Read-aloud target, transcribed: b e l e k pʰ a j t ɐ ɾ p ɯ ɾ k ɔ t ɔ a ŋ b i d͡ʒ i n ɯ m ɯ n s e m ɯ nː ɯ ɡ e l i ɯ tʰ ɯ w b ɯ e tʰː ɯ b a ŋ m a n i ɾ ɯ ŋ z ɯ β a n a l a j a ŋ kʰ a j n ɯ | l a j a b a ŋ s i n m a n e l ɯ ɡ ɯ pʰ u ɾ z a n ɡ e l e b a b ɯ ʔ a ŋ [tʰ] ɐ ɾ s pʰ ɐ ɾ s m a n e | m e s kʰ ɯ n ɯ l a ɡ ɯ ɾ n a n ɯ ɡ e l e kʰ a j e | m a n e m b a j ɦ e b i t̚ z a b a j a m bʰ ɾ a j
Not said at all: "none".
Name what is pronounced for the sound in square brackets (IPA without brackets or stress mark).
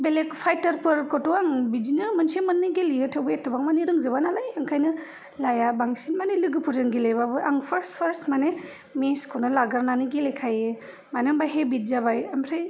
pʰ